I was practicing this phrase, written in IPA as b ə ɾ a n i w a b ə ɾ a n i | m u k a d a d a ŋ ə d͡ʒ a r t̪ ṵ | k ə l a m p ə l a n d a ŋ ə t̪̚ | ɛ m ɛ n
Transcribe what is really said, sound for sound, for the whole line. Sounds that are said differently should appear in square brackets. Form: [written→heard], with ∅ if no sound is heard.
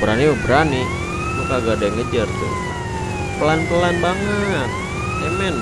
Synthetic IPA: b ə ɾ a n i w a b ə ɾ a n i | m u k a [d→ɡ] a d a ŋ ə d͡ʒ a r t̪ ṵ | [k→p] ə l a [m→n] p ə l a n [d→b] a ŋ ə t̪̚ | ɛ m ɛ n